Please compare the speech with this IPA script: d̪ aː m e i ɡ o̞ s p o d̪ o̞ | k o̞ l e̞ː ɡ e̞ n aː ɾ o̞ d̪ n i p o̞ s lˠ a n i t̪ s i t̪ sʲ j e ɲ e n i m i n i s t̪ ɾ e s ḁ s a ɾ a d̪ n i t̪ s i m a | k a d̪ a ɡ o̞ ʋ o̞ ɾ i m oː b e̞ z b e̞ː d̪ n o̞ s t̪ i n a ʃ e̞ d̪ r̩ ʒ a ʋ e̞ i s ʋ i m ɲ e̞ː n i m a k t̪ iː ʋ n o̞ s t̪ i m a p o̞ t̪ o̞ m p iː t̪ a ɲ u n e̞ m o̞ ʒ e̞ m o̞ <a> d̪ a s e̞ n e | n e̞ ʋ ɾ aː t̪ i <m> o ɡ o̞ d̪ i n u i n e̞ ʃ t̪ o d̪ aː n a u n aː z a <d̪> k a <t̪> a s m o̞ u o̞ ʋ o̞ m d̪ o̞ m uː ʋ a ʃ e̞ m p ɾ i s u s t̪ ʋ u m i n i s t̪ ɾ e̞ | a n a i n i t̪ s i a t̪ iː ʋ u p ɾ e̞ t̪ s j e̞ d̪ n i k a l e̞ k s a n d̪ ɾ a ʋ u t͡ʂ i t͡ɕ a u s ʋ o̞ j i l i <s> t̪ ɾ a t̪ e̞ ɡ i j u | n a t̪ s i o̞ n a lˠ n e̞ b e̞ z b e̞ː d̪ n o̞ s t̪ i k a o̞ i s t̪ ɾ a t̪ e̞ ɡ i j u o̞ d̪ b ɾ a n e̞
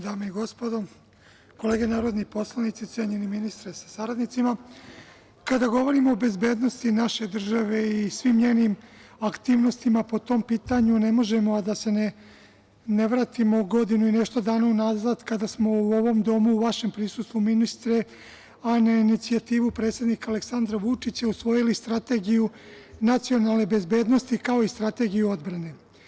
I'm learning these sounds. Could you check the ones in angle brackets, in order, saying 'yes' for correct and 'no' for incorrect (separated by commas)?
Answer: yes, yes, yes, no, yes